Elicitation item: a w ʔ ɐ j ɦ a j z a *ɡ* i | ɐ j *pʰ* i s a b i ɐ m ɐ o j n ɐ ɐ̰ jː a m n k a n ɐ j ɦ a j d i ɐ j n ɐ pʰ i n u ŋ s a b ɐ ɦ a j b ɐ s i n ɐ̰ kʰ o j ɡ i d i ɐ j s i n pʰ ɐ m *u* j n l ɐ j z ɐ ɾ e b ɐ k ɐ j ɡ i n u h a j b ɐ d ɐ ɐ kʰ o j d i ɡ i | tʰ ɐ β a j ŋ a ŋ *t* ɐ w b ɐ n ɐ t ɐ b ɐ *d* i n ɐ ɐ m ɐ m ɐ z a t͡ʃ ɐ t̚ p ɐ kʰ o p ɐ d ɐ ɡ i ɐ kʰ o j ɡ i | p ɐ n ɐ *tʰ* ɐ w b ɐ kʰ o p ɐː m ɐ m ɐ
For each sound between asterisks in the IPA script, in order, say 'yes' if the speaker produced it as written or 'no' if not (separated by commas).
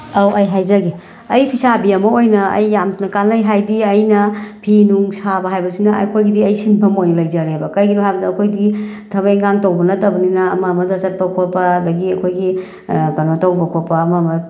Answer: yes, yes, no, yes, no, no